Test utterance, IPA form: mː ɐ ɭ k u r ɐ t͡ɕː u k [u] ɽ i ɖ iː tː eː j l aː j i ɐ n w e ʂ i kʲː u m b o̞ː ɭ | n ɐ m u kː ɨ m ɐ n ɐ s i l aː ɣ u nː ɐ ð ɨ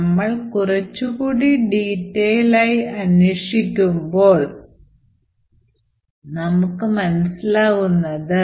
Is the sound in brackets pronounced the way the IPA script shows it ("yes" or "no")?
no